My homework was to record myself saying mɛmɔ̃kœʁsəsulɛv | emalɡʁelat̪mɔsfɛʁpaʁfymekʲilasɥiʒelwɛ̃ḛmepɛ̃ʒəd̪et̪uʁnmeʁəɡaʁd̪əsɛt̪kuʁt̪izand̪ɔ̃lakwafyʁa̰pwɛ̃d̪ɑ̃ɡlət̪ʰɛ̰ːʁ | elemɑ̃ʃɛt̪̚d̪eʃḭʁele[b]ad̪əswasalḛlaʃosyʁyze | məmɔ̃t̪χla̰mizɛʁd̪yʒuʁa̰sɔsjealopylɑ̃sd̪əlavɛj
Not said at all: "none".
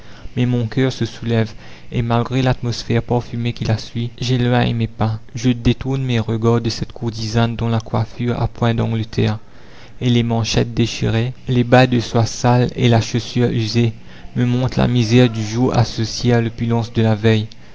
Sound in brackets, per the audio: b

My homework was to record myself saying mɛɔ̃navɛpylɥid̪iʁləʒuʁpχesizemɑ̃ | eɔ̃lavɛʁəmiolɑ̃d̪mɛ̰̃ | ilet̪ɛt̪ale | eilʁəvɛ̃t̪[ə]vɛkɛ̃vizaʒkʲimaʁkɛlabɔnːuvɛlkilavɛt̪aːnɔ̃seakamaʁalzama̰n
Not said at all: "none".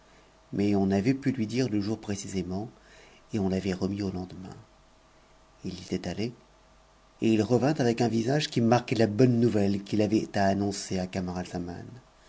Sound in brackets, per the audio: a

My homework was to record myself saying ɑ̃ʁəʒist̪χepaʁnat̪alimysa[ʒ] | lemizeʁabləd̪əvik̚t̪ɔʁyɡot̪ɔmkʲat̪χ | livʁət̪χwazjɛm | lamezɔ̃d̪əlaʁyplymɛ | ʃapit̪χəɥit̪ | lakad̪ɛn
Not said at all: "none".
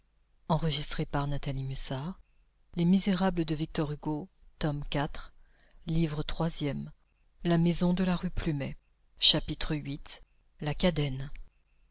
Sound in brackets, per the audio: ʁ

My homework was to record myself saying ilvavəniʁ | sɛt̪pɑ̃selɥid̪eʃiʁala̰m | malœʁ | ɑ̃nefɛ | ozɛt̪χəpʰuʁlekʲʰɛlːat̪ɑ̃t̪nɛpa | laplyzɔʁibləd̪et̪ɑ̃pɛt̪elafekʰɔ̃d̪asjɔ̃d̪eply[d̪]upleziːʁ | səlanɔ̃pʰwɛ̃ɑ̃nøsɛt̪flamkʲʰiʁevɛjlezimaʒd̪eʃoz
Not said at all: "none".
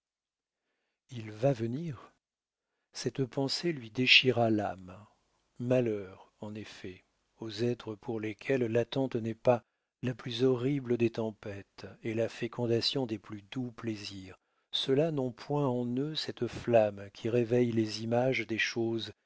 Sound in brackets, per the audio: d̪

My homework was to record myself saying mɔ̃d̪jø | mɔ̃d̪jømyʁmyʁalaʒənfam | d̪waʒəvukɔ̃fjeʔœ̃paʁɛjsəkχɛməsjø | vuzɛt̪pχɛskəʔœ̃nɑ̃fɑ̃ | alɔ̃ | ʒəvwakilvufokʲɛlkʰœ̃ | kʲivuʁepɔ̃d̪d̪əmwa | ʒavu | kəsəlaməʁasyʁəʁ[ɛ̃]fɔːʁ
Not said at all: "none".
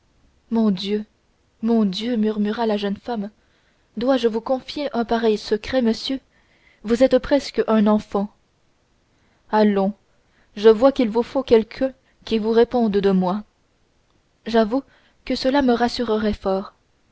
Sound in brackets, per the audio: ɛ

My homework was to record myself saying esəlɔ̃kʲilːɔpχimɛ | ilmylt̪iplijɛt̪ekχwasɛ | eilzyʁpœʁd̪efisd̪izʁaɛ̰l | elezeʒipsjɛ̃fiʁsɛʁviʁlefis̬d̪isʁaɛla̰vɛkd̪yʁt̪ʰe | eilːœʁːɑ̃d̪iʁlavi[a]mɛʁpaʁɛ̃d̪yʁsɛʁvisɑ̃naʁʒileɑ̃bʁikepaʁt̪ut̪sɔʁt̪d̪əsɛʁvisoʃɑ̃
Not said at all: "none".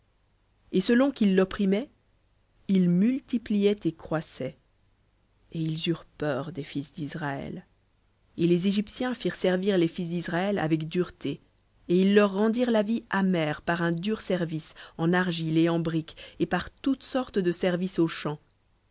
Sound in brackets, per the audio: a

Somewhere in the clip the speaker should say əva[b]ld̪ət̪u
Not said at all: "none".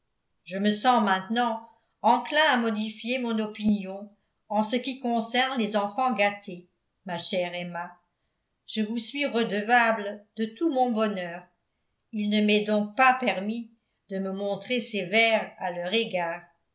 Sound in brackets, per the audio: b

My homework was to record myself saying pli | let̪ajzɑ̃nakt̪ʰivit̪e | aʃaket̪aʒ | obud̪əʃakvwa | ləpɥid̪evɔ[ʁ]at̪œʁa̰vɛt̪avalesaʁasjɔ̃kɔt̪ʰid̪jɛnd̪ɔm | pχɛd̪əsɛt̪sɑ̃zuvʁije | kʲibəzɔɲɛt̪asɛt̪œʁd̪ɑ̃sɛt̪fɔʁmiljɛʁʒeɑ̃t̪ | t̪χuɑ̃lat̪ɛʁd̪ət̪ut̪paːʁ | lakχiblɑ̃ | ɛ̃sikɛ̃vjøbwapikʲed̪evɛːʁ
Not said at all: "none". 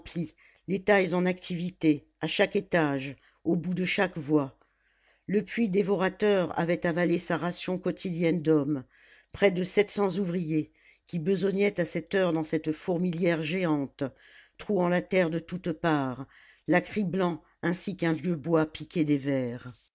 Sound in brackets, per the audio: ʁ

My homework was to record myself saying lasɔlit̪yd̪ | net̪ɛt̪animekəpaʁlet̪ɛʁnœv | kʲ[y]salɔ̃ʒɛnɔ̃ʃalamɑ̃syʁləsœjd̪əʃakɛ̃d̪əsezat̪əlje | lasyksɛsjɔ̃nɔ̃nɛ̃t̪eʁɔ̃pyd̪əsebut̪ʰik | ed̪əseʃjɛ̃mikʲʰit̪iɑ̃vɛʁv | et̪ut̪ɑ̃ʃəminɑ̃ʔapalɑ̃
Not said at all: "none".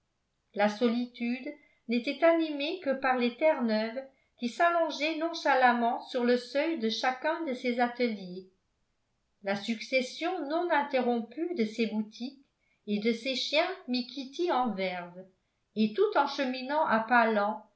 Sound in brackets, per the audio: i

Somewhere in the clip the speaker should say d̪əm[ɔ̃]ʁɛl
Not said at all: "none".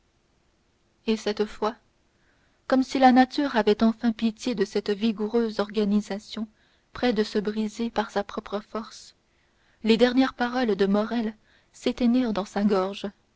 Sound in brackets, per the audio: ɔ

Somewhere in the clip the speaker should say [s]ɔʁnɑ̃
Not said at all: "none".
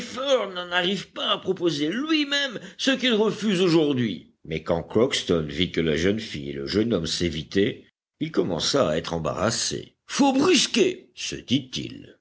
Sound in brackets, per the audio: f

